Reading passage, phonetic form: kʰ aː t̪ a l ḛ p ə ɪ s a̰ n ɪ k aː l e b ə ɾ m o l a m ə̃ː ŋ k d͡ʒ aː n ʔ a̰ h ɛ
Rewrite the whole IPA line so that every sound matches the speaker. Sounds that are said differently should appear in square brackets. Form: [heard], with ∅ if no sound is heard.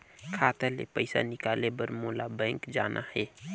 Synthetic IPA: kʰ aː t̪ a l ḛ p ə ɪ s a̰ n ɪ k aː l e b ə ɾ m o l a [b] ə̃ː ŋ k d͡ʒ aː n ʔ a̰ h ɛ